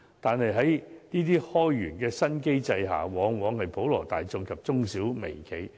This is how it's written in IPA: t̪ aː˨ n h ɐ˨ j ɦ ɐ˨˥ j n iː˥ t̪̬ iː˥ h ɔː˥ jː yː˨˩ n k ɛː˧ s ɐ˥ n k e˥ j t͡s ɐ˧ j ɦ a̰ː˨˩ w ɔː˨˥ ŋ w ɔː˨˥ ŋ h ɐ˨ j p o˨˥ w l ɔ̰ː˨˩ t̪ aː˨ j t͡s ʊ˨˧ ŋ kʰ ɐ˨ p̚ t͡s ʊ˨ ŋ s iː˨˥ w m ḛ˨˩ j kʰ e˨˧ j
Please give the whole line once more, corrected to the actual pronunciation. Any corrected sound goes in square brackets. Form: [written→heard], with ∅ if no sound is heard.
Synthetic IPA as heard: t̪ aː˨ n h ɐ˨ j ɦ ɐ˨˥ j n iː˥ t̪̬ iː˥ h ɔː˥ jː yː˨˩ n k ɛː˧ s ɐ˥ n k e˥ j t͡s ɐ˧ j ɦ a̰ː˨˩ w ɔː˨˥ ŋ w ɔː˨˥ ŋ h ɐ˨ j p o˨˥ w l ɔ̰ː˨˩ t̪ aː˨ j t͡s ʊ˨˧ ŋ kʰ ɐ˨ p̚ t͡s [ʊ˨→ʊ˥] ŋ s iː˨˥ w m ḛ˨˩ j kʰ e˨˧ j